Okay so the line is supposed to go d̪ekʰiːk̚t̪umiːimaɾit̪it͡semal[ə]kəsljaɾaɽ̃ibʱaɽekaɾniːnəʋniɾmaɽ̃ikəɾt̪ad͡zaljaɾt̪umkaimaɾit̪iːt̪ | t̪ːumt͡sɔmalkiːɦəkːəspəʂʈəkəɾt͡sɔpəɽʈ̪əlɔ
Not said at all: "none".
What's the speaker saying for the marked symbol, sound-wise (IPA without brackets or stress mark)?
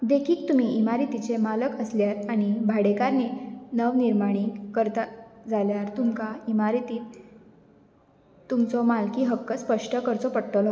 ə